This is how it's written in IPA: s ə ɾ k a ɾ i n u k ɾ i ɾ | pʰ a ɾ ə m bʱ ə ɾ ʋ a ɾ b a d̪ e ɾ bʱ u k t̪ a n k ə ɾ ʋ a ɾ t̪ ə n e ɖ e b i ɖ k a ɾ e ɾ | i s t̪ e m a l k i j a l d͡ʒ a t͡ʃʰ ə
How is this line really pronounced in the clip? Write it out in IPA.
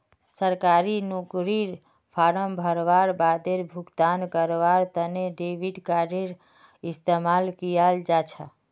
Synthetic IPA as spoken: s ə ɾ k a ɾ i n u k ɾ i ɾ | pʰ a ɾ ə m bʱ ə ɾ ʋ a ɾ b a d̪ e ɾ bʱ u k t̪ a n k ə ɾ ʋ a ɾ t̪ ə n e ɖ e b i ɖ k a ɾ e ɾ | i s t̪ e m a l k i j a l d͡ʒ a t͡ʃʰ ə

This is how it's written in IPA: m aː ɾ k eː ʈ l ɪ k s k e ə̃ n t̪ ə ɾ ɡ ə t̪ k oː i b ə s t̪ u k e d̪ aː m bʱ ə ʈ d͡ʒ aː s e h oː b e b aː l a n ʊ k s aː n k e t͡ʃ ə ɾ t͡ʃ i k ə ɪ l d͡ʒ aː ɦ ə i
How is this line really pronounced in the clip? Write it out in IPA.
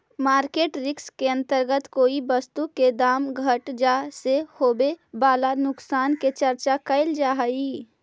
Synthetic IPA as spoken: m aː ɾ k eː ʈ ɾ ɪ k s k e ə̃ n t̪ ə ɾ ɡ ə t̪ k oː i b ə s t̪ u k e d̪ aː m ɡʱ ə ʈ d͡ʒ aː s e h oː b e b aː l a n ʊ k s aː n k e t͡ʃ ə ɾ t͡ʃ a k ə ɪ l d͡ʒ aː ɦ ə i

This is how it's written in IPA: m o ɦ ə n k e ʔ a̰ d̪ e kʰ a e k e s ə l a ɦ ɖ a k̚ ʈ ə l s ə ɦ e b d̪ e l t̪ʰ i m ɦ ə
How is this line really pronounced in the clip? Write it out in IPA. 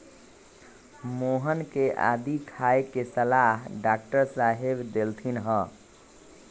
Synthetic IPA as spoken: m o ɦ ə n k e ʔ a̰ d̪ i kʰ a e k e s ə l a ɦ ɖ a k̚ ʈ ə ɾ s a ɦ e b d̪ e l t̪ʰ i n ɦ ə

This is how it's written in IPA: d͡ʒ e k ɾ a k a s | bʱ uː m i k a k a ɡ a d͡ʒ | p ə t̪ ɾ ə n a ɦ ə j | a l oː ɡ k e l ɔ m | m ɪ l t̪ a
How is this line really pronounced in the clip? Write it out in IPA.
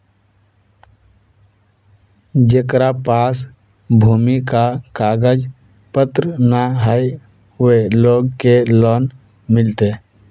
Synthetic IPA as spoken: d͡ʒ e k ɾ a p a s | bʱ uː m i k a k a ɡ ə d͡ʒ | p ə t̪ ɾ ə n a ɦ ə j | e l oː ɡ k e l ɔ n | m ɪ l t̪ e

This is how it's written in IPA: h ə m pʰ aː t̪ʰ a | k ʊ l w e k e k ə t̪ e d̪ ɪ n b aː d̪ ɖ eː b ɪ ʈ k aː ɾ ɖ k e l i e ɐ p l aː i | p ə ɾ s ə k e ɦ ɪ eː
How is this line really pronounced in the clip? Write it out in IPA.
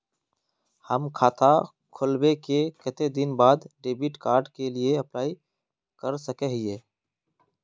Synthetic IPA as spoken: h ə m kʰ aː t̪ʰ a | kʰ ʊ l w e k e k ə t̪ e d̪ ɪ n b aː d̪ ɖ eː b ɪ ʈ k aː ɾ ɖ k e l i e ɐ p l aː i | k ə ɾ s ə k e ɦ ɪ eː

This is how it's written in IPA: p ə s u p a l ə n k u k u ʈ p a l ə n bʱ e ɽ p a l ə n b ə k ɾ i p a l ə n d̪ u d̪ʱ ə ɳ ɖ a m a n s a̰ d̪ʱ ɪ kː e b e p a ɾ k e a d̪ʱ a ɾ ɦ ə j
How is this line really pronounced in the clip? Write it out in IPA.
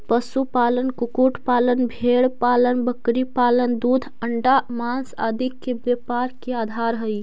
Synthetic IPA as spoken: p ə s u p a l ə n k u k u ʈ p a l ə n bʱ e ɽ p a l ə n b ə k ɾ i p a l ə n d̪ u d̪ʱ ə ɳ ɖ a m a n s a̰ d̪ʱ i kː e b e p a ɾ k e a d̪ʱ a ɾ ɦ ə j

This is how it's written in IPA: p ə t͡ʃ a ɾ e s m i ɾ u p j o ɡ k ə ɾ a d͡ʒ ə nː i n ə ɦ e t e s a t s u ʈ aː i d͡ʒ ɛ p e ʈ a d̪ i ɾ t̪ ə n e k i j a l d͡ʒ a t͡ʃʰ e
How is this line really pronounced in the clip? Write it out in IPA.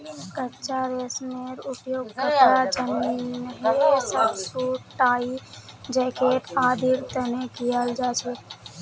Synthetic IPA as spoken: k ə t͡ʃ a ɾ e s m e ɾ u p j o ɡ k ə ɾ a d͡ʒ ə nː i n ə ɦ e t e s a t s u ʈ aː i d͡ʒ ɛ k e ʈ a d̪ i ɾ t̪ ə n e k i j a l d͡ʒ a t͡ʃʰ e

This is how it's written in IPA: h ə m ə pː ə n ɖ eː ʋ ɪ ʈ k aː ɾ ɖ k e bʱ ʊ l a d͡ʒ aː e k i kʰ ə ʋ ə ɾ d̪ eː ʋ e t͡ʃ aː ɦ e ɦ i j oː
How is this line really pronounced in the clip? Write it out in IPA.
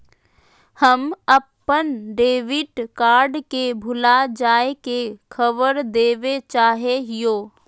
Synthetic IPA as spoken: h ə m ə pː ə n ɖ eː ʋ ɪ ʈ k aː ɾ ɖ k e bʱ ʊ l a d͡ʒ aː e k e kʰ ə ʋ ə ɾ d̪ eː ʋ e t͡ʃ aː ɦ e ɦ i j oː

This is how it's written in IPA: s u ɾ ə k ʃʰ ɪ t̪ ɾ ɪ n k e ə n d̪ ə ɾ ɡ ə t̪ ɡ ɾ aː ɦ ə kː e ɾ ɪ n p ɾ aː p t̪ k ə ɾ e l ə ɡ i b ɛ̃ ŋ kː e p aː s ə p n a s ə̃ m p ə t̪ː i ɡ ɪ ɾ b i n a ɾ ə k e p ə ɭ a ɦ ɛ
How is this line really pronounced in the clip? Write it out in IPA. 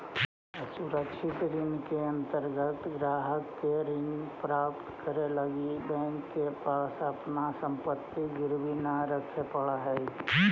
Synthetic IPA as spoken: s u ɾ ə k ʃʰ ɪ t̪ ɾ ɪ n k e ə n t̪ ə ɾ ɡ ə t̪ ɡ ɾ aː ɦ ə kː e ɾ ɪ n p ɾ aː p t̪ k ə ɾ e l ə ɡ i b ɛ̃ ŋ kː e p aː s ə p n a s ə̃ m p ə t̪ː i ɡ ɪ ɾ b i n a ɾ ə kʰ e p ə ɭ a ɦ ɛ

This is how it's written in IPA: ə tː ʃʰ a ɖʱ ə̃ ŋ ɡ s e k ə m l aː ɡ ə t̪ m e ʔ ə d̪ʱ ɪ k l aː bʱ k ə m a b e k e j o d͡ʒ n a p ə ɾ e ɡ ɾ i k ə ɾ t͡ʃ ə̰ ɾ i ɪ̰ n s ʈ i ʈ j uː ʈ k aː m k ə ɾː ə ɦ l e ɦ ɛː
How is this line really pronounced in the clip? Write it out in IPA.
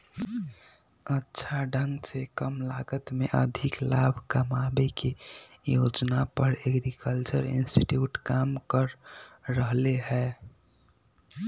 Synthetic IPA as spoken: ə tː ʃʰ a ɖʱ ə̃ ŋ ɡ s e k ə m l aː ɡ ə t̪ m e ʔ ə d̪ʱ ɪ k l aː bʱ k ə m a b e k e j o d͡ʒ n a p ə ɾ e ɡ ɾ i k ə l t͡ʃ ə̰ ɾ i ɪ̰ n s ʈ i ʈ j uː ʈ k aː m k ə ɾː ə ɦ l e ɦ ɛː

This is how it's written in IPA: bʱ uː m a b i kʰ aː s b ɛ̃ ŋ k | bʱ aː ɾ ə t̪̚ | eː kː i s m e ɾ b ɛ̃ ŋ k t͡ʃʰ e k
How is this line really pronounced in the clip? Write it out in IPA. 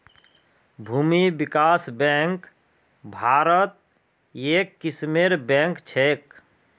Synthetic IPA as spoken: bʱ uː m i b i k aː s b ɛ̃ ŋ k | bʱ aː ɾ ə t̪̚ | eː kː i s m e ɾ b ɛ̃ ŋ k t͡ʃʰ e k

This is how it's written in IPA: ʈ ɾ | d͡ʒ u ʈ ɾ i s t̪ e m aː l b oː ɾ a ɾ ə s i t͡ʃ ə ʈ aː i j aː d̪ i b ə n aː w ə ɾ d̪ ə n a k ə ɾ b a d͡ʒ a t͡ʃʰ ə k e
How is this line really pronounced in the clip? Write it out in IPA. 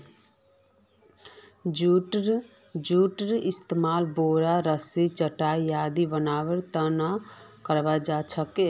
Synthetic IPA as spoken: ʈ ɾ | d͡ʒ u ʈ ɾ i s t̪ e m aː l b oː ɾ a ɾ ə s i t͡ʃ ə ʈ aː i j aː d̪ i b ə n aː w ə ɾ t̪ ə n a k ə ɾ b a d͡ʒ a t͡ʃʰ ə k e

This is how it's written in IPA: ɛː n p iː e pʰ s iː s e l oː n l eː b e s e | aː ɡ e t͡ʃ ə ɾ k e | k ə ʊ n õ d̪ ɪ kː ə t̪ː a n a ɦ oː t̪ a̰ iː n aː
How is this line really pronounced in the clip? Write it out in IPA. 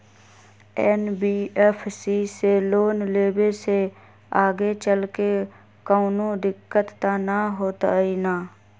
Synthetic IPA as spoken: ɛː n b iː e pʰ s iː s e l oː n l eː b e s e | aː ɡ e t͡ʃ ə l k e | k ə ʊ n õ d̪ ɪ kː ə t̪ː a n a ɦ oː t̪ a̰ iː n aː

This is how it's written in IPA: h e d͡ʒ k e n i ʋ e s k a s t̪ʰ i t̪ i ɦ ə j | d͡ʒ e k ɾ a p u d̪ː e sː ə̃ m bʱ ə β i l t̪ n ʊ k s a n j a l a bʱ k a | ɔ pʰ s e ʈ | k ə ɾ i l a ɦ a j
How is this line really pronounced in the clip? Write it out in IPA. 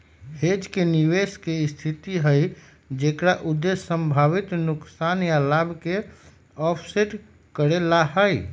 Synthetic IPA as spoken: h e d͡ʒ k e n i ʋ e s k e s t̪ʰ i t̪ i ɦ ə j | d͡ʒ e k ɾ a ʔ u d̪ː e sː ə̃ m bʱ a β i t̪ n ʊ k s a n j a l a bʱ k e | ɔ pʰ s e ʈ | k ə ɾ e l a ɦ ə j

